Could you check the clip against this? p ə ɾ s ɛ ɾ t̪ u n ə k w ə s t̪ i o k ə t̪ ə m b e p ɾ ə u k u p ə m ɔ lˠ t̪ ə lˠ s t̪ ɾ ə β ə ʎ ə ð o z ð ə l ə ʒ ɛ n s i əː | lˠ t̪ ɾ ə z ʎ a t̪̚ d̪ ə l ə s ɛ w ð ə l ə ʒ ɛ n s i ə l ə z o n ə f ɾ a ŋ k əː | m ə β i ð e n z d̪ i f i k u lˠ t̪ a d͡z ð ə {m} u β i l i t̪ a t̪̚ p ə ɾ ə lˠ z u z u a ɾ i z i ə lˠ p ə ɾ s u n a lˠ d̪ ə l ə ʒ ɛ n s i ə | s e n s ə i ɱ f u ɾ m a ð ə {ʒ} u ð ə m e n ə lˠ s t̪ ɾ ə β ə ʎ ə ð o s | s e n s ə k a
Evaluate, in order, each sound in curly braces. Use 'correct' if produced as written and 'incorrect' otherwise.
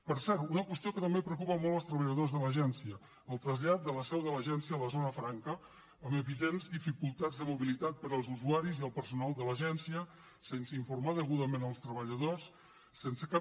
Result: correct, incorrect

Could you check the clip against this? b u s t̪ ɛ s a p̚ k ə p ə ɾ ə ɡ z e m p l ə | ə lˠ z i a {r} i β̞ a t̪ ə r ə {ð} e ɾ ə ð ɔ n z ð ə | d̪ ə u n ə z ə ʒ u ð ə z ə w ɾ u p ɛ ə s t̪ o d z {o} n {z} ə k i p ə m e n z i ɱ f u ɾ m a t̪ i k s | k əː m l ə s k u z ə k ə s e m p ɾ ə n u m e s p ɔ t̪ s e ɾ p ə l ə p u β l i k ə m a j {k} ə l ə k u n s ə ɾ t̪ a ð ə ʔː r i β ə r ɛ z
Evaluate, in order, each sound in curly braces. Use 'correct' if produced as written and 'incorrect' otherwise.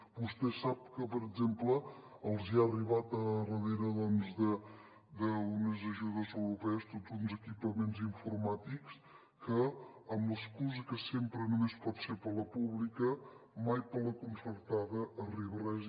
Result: correct, correct, incorrect, correct, incorrect

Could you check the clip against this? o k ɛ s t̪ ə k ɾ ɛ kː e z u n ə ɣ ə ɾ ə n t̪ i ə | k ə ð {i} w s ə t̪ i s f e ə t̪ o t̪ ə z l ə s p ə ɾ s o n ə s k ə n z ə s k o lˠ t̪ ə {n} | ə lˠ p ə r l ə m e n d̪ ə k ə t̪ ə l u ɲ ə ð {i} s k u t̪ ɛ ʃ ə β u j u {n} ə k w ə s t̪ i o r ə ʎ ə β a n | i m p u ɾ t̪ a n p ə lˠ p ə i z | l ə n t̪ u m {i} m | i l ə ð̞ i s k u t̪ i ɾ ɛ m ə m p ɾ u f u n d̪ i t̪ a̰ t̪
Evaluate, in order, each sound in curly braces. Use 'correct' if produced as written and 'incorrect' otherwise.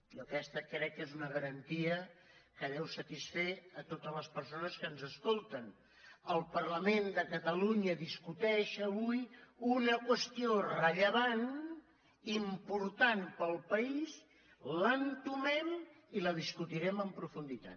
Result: incorrect, correct, correct, correct, incorrect

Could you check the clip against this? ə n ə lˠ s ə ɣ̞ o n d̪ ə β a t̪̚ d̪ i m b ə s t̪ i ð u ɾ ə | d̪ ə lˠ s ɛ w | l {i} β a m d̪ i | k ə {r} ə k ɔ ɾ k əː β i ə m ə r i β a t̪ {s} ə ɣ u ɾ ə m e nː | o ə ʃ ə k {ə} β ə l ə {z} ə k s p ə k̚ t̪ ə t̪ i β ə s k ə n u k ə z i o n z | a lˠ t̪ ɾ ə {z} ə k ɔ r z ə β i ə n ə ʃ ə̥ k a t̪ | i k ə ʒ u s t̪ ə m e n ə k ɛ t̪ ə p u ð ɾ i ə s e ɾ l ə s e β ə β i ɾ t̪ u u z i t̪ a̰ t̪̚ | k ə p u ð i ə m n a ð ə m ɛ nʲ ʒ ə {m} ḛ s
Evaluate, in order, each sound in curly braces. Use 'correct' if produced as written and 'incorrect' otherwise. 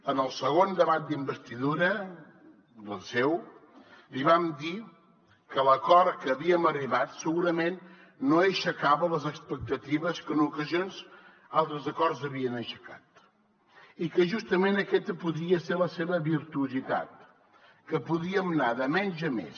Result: correct, incorrect, correct, incorrect, correct, correct, correct

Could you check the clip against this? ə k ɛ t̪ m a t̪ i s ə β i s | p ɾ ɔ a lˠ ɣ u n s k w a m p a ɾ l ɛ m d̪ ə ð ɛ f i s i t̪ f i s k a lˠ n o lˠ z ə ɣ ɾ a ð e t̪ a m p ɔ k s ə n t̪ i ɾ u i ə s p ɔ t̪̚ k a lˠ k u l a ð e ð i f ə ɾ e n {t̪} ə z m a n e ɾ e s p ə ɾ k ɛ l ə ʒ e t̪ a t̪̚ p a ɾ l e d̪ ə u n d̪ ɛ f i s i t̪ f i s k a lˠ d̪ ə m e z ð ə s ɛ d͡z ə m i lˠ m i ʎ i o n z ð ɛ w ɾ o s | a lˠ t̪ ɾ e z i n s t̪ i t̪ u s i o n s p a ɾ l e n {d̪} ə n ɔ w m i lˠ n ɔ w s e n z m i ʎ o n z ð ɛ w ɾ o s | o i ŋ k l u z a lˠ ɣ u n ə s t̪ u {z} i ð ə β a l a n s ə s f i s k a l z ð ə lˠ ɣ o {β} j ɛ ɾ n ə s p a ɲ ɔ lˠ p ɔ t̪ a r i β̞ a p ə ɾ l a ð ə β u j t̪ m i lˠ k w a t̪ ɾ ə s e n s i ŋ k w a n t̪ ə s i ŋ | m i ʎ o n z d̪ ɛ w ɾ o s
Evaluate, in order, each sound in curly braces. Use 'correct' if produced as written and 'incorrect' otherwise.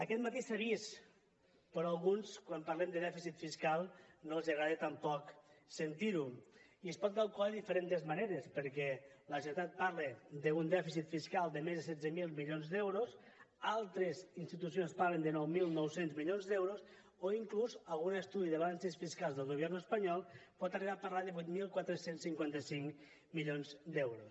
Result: correct, correct, incorrect, correct

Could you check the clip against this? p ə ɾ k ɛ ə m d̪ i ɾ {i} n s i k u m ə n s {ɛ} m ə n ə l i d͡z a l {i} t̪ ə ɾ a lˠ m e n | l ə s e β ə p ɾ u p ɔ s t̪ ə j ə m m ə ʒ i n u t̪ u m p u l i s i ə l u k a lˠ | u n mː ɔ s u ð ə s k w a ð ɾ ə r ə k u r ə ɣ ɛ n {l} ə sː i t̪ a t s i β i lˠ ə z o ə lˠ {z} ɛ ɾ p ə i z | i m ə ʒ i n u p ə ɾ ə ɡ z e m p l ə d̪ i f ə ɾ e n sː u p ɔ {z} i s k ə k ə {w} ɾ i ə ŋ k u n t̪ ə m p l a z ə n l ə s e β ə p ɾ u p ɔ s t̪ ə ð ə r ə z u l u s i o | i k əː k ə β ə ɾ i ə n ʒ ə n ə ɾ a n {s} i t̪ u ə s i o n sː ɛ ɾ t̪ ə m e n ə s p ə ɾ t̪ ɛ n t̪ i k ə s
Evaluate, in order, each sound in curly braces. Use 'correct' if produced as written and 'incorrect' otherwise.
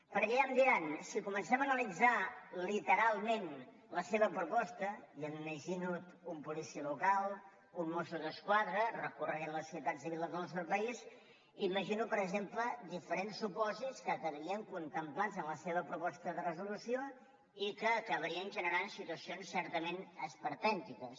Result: incorrect, correct, correct, correct, incorrect, correct, incorrect, correct

